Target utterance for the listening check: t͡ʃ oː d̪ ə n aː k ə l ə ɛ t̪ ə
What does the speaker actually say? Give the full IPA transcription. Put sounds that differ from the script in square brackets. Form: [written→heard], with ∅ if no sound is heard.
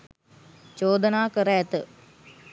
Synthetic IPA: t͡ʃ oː d̪ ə n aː k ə [l→ɾ] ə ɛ t̪ ə